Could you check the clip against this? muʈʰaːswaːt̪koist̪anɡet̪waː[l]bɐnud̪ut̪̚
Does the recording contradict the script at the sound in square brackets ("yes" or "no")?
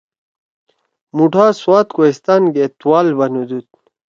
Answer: no